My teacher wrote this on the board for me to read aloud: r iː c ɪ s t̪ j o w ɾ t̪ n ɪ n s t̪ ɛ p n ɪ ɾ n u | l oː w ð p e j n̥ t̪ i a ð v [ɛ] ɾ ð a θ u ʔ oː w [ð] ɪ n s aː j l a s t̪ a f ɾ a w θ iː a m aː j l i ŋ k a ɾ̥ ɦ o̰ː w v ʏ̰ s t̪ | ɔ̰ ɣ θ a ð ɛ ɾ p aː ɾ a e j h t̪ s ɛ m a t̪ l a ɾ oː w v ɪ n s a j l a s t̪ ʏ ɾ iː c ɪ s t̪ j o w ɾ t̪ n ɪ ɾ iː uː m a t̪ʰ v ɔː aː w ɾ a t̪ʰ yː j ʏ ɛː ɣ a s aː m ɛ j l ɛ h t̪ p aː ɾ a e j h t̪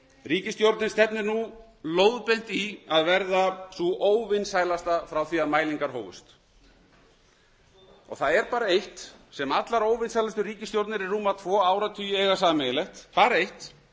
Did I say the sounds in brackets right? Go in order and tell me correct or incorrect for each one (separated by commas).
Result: correct, incorrect